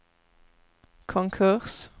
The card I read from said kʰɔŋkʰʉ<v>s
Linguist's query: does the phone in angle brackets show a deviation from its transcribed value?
yes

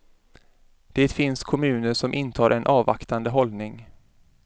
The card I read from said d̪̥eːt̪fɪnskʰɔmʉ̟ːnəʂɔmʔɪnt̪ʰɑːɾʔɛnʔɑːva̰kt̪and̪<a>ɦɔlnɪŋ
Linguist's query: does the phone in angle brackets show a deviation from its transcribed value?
yes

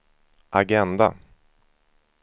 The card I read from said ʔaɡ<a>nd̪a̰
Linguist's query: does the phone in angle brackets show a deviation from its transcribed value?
yes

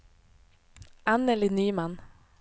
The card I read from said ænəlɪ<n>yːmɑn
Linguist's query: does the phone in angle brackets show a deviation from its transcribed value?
no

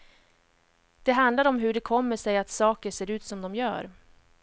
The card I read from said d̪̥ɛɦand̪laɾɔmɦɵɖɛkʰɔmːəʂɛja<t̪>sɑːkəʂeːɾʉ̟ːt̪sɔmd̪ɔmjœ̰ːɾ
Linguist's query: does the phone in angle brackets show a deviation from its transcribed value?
no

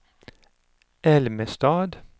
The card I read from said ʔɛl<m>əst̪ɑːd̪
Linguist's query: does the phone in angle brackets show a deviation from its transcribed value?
no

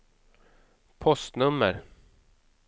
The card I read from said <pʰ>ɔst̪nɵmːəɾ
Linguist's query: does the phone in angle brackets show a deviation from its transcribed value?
no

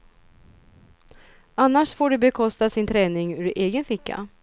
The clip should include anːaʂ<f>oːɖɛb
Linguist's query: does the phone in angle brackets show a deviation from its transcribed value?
no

